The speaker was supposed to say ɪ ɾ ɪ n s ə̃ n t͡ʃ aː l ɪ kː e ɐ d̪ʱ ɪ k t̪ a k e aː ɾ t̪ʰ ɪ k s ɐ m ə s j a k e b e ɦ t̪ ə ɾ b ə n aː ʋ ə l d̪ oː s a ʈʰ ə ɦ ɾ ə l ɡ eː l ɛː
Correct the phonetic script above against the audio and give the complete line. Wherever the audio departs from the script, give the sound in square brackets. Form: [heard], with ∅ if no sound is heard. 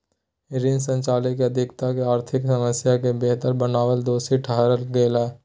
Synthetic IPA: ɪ ɾ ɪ n s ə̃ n t͡ʃ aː l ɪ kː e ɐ d̪ʱ ɪ k t̪ a k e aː ɾ t̪ʰ ɪ k s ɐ m ə s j a k e b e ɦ t̪ ə ɾ b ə n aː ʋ ə l d̪ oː s [i] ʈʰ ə ɦ ɾ ə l ɡ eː l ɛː